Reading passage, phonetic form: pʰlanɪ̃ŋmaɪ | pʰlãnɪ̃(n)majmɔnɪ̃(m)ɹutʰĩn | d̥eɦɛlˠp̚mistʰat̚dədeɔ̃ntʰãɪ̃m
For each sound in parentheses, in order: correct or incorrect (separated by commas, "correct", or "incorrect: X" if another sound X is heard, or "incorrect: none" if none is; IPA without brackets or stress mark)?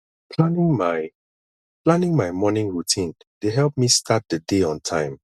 incorrect: ŋ, incorrect: ŋ